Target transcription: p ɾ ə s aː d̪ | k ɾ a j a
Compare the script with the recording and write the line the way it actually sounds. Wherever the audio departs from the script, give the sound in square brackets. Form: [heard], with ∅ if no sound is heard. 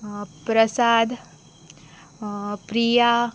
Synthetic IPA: p ɾ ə s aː d̪ | [p] ɾ [i] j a